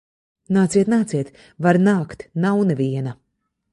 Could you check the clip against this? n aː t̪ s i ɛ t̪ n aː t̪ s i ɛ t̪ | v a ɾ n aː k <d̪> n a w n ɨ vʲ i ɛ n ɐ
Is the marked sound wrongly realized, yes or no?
yes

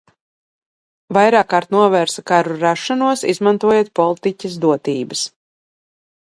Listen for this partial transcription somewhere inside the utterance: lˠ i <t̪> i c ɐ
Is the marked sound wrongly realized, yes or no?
no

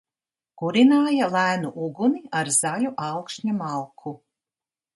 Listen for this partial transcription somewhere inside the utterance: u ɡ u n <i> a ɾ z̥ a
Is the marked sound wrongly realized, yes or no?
no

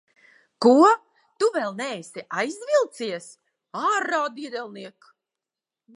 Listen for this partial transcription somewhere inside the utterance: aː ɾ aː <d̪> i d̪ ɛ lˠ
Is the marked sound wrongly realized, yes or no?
no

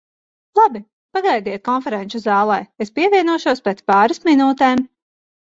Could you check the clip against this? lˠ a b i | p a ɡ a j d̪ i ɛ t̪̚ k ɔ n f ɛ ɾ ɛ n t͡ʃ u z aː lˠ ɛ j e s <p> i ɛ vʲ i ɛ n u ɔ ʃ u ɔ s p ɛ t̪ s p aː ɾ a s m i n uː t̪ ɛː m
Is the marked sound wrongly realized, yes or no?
no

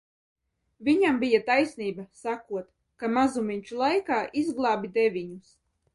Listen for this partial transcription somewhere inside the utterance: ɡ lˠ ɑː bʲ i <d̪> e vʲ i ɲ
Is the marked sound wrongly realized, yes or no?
no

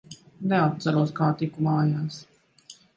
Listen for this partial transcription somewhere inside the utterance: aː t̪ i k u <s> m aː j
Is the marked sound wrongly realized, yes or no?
yes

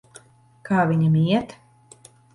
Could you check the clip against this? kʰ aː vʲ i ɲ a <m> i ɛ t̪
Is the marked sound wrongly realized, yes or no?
no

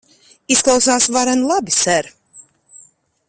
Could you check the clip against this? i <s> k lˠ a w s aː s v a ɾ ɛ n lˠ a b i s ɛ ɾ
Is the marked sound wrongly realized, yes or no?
no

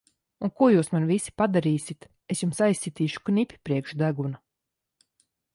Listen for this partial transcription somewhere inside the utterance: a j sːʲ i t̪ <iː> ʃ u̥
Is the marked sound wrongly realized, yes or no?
no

